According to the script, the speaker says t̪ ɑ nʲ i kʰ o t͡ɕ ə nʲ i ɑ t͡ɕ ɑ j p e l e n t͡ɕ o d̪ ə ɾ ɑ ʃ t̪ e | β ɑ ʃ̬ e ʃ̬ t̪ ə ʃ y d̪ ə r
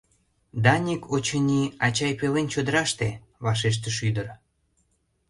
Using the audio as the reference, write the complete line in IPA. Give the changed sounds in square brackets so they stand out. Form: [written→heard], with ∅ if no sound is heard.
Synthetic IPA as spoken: [t̪→d̪] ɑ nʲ i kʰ o t͡ɕ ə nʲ i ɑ t͡ɕ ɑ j p e l e n t͡ɕ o d̪ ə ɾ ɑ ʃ t̪ e | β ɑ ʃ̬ e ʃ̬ t̪ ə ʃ y d̪ ə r